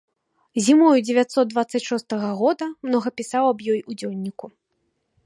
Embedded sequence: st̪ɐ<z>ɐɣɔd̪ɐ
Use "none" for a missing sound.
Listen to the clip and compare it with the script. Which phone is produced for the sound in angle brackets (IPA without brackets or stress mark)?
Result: ɣ